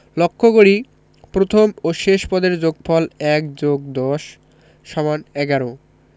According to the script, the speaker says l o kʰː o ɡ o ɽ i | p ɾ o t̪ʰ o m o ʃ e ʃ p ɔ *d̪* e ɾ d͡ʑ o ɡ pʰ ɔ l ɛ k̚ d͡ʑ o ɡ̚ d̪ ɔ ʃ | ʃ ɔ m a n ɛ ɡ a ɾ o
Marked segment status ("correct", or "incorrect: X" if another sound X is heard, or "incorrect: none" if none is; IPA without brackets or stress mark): correct